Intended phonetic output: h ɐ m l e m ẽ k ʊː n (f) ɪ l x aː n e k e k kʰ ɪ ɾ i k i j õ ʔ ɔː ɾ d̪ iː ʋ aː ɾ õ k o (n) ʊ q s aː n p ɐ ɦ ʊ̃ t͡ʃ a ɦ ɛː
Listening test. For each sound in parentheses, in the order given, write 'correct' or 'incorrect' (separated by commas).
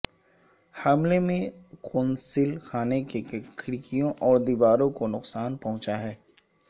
incorrect, correct